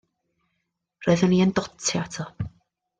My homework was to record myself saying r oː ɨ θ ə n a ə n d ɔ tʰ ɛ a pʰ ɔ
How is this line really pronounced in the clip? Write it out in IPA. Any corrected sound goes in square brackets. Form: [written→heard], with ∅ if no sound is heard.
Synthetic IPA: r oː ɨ [θ→ð] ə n [a→i] ə n d ɔ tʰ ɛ a [pʰ→tʰ] ɔ